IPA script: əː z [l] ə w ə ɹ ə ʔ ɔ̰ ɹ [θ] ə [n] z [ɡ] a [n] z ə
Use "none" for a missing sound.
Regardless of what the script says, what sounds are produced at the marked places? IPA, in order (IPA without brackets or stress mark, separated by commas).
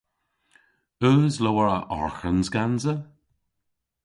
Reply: l, x, n, ɡ, n